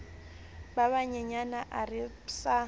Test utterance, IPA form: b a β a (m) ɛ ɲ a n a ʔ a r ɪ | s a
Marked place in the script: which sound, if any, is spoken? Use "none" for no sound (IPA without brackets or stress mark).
ɲ